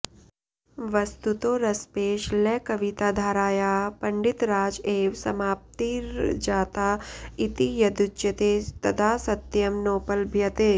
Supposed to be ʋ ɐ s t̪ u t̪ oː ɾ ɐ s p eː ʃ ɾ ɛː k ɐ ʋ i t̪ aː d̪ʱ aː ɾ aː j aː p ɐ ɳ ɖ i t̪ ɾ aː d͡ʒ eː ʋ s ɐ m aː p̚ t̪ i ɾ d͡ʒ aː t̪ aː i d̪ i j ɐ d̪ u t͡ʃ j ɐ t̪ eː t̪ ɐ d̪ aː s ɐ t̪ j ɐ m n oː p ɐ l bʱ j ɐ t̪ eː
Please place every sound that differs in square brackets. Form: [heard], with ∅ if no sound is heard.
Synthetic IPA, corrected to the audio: ʋ ɐ s t̪ u t̪ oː ɾ ɐ s p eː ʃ [l] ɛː k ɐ ʋ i t̪ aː d̪ʱ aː ɾ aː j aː p ɐ ɳ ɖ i t̪ ɾ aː d͡ʒ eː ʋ s ɐ m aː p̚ t̪ i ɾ d͡ʒ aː t̪ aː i [t̪] i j ɐ d̪ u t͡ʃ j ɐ t̪ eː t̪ ɐ d̪ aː s ɐ t̪ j ɐ m n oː p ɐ l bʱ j ɐ t̪ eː